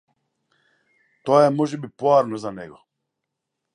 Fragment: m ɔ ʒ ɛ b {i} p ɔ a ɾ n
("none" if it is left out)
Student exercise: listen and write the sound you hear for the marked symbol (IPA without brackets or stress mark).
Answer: i